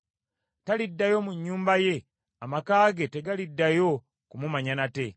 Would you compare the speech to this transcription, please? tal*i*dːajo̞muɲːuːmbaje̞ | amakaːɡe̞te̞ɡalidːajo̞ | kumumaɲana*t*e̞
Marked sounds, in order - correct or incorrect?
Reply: correct, correct

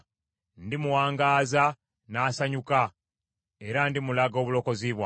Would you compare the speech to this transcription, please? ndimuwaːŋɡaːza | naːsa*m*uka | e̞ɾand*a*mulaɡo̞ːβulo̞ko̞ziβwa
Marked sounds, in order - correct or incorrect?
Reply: incorrect, incorrect

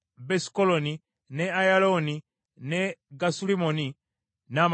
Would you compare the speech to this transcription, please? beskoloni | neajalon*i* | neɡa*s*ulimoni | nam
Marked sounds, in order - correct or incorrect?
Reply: correct, correct

